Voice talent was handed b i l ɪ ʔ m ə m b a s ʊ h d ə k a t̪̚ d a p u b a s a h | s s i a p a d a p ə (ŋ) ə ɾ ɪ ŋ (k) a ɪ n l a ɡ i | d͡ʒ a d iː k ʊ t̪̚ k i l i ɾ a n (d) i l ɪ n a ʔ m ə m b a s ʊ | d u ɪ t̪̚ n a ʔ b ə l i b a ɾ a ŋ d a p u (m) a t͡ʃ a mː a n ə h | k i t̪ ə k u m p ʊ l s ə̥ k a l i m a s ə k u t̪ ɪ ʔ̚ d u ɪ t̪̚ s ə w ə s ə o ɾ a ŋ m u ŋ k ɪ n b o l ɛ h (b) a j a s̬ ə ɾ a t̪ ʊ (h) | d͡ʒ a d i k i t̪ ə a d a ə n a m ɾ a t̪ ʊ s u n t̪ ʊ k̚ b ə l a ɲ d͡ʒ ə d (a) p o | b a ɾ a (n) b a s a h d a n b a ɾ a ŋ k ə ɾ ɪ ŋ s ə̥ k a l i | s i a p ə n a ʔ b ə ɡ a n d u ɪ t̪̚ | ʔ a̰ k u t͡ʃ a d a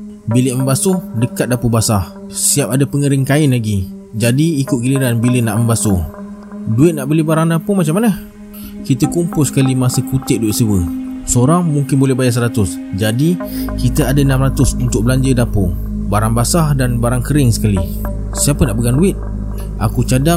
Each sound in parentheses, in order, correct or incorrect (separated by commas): correct, correct, incorrect, correct, correct, incorrect, correct, incorrect